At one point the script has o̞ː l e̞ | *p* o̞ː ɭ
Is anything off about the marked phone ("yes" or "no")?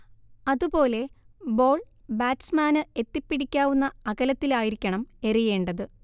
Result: yes